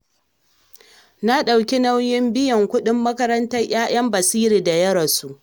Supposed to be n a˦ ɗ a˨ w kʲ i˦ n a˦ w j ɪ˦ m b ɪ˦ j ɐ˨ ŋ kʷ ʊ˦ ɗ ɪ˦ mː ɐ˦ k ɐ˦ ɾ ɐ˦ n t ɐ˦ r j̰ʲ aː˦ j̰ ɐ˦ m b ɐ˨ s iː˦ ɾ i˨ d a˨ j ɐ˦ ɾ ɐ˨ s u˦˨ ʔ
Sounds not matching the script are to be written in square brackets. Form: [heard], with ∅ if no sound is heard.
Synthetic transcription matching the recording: n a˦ ɗ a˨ w kʲ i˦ n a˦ w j ɪ˦ m b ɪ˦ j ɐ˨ ŋ kʷ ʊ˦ ɗ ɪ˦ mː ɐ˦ k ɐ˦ ɾ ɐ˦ n t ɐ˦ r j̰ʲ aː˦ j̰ ɐ˦ m b ɐ˨ s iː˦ ɾ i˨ d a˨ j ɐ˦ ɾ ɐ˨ s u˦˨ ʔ